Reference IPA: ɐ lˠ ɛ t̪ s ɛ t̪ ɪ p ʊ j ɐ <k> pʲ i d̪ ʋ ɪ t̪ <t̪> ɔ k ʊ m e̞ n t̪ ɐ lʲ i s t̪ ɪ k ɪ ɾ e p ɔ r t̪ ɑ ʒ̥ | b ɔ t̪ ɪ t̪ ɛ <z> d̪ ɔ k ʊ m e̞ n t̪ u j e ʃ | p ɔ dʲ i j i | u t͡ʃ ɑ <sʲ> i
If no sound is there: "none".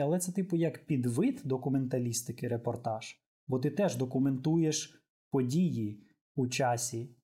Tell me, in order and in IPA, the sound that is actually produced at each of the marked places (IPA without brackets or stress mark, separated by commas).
k, d̪, ʒ, sʲ